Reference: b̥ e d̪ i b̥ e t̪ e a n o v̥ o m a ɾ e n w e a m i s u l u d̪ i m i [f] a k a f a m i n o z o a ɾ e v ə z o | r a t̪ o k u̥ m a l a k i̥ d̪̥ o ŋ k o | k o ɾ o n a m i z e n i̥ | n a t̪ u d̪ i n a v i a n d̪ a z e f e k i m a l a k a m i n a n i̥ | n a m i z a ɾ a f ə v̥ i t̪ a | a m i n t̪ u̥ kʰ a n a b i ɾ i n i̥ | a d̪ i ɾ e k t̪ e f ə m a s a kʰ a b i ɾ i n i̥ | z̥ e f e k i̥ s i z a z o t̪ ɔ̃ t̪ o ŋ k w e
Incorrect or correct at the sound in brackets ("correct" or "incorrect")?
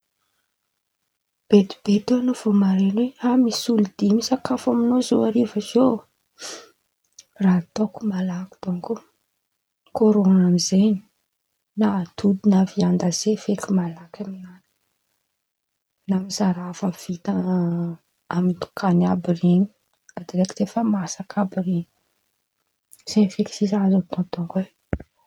incorrect